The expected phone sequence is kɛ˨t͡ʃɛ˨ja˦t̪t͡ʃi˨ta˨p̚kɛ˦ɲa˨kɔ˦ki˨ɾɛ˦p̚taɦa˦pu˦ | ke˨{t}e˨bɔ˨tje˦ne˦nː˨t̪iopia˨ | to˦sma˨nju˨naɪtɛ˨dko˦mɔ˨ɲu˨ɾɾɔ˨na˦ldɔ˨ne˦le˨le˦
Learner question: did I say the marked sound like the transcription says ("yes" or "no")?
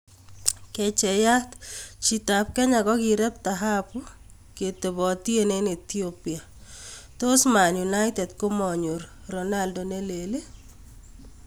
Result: yes